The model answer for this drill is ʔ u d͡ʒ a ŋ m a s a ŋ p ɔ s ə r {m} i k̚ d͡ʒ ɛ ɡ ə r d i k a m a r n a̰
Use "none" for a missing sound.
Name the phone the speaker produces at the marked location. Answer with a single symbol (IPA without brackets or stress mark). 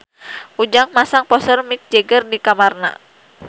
m